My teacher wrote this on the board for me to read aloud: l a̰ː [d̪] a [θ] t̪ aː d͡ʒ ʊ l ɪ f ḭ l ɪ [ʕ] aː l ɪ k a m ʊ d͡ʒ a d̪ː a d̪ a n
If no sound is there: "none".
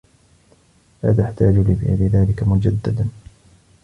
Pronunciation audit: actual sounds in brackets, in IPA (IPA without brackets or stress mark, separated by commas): t̪, ħ, ð